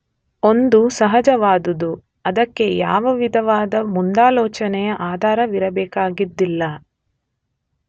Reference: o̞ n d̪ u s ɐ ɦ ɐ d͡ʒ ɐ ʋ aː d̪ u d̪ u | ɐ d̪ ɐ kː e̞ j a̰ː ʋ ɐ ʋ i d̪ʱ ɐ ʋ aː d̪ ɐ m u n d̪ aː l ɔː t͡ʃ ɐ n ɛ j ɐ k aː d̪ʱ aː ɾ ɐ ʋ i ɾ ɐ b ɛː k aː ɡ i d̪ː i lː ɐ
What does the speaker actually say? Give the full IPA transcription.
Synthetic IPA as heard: o̞ n d̪ u s ɐ ɦ ɐ d͡ʒ ɐ ʋ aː d̪ u d̪ u | ɐ d̪ ɐ kː e̞ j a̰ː ʋ ɐ ʋ i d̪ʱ ɐ ʋ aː d̪ ɐ m u n d̪ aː l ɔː t͡ʃ ɐ n ɛ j ɐ ʔ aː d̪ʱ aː ɾ ɐ ʋ i ɾ ɐ b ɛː k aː ɡ i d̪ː i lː ɐ